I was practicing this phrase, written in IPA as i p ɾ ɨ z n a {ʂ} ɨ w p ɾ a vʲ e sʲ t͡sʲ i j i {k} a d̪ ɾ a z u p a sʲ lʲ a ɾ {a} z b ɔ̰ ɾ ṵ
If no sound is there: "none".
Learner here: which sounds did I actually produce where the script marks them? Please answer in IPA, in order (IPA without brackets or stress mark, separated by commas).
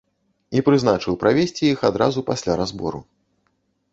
t͡ʂ, x, a